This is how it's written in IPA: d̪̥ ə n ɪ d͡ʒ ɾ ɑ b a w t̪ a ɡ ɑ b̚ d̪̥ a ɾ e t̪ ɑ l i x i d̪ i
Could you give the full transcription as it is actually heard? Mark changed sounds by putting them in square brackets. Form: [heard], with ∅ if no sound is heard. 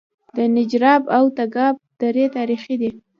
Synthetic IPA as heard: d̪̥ ə n ɪ d͡ʒ ɾ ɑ b a w t̪ a ɡ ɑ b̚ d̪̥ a ɾ e t̪ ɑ [ɾ] i x i d̪ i